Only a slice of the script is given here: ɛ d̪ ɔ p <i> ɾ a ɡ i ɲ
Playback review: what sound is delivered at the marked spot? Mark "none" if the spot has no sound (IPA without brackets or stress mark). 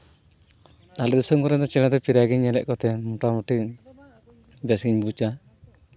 i